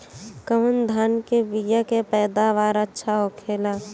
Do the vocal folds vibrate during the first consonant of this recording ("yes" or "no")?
no